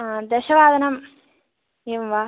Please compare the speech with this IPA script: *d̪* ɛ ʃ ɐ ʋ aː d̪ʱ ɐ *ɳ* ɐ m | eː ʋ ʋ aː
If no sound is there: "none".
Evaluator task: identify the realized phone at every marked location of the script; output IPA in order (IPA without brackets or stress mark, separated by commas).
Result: d̪, n